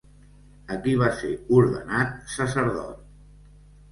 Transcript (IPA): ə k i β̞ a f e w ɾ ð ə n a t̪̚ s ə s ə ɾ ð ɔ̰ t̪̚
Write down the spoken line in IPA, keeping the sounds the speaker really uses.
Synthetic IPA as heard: ə k i β̞ a s e u ɾ ð ə n a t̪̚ s ə s ə ɾ ð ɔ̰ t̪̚

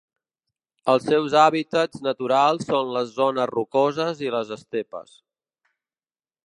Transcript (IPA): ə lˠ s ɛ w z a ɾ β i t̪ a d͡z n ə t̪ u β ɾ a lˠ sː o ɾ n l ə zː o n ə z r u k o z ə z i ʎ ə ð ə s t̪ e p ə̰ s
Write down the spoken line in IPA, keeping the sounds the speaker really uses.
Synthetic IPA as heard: ə lˠ s ɛ w z a β i t̪ ə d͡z n ə t̪ u ɾ a lˠ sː o n l ə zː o n ə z r u k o z ə z i l ə z ə s t̪ e p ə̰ s

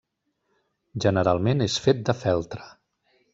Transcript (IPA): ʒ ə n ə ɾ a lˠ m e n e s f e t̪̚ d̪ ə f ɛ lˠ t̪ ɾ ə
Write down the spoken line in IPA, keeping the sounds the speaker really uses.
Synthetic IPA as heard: ʒ ə n ə ɾ a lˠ m e n e s f e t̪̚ d̪ ə f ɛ lˠ t̪ ɾ ə

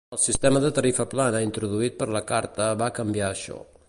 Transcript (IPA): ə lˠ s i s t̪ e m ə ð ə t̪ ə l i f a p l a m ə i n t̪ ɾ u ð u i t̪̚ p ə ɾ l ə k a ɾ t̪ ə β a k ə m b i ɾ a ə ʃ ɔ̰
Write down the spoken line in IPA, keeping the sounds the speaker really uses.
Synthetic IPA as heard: ə lˠ s i s t̪ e m ə ð ə t̪ ə ɾ i f ə p l a n ə i n t̪ ɾ u ð u i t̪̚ p ə ɾ l ə k a ɾ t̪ ə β a k ə m b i a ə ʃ ɔ̰

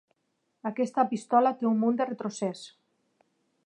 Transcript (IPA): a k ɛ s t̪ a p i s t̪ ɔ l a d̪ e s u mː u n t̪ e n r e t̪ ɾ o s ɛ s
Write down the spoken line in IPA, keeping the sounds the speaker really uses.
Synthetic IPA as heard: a k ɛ s t̪ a p i s t̪ ɔ l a t̪ e u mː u n d̪ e r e t̪ ɾ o s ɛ s

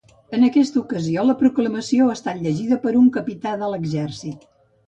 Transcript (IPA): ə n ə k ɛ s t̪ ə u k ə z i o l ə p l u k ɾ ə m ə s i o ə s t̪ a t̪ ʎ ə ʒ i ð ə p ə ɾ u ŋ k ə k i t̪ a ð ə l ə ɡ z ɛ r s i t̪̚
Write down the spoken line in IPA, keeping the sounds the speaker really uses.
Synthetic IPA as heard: ə n ə k ɛ s t̪ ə u k ə z i o l ə p ɾ u k l ə m ə s i o ə s t̪ a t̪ ʎ ə ʒ i ð ə p ə ɾ u ŋ k ə p i t̪ a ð ə l ə ɡ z ɛ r s i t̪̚

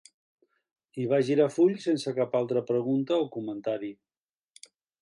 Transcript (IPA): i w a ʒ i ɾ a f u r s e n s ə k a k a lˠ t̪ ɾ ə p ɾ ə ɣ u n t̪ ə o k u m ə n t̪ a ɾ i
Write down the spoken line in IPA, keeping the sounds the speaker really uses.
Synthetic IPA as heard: i β a ʒ i ɾ a f u ʎ s e n s ə k a p a lˠ t̪ ɾ ə p ɾ ə ɣ u n t̪ ə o k u m ə n t̪ a ɾ i

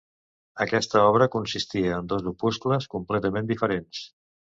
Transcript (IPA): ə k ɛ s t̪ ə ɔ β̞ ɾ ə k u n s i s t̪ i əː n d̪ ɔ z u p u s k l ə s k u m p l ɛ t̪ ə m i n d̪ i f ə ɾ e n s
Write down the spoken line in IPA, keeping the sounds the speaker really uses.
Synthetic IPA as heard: ə k ɛ s t̪ ə ɔ β̞ ɾ ə k u n s i s t̪ i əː n d̪ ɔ z u p u s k l ə s k u m p l ɛ t̪ ə m e n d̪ i f ə ɾ e n s

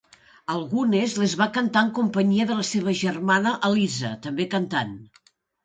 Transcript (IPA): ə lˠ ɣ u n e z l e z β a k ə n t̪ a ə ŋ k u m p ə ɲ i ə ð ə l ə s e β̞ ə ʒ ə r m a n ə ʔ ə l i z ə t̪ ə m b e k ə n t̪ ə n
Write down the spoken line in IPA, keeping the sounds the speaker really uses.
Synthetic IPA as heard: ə lˠ ɣ u n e z l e z β a k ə n t̪ a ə ŋ k u m p ə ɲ i ə ð ə l ə s e β̞ ə ʒ ə r m a n ə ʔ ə l i z ə t̪ ə m b e k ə n t̪ a n

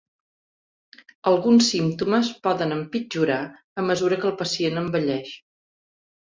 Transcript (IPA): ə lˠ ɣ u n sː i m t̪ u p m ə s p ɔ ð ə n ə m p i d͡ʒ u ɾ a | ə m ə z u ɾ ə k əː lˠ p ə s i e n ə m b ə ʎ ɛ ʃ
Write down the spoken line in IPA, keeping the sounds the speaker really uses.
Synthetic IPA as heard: ə lˠ ɣ u n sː i m t̪ u m ə s p ɔ ð ə n ə m p i d͡ʒ u ɾ a | ə m ə z u ɾ ə k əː lˠ p ə s i e n ə m b ə ʎ ɛ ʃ

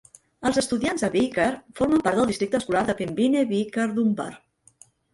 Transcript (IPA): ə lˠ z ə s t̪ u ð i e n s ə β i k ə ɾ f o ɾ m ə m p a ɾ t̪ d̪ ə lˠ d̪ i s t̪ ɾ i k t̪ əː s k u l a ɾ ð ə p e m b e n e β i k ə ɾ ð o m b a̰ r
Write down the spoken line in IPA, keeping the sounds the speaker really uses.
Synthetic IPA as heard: ə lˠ z ə s t̪ u ð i a n z ə β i k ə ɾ f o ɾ m ə m p a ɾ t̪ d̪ ə lˠ d̪ i s t̪ ɾ i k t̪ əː s k u l a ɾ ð ə p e m b i n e β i k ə ɾ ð u m b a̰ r

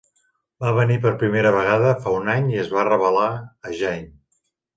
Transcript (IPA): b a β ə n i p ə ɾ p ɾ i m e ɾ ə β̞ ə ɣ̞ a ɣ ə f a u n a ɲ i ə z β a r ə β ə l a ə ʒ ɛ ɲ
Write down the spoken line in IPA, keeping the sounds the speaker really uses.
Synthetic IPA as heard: b a β ə n i p ə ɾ p ɾ i m e ɾ ə β̞ ə ɣ̞ a ð ə f a u n a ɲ i ə z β a r ə β ə l a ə ʒ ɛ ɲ

